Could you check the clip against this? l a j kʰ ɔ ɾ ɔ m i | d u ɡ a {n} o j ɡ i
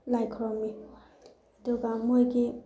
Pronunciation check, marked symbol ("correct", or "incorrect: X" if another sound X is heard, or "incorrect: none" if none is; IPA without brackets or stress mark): incorrect: m